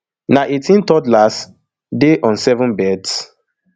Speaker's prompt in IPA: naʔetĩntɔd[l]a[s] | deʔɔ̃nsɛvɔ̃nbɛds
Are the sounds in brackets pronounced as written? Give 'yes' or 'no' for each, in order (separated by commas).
yes, yes